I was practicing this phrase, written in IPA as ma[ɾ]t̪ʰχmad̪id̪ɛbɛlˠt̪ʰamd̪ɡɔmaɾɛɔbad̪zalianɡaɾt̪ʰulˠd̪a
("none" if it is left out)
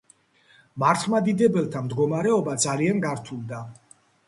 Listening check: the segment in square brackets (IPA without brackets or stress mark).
ɾ